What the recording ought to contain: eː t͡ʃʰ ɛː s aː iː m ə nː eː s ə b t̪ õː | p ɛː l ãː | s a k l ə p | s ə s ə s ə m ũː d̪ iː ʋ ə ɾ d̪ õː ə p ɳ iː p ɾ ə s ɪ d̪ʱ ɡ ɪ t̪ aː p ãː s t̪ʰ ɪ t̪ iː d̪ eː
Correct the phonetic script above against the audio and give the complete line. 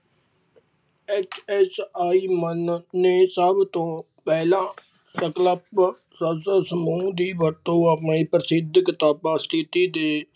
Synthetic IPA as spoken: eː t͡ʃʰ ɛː s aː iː m ə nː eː s ə b t̪ õː | p ɛː l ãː | s ə k l ə p | s ə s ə s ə m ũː d̪ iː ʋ ə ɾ t̪ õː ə p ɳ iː p ɾ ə s ɪ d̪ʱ k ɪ t̪ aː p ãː s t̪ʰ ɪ t̪ iː d̪ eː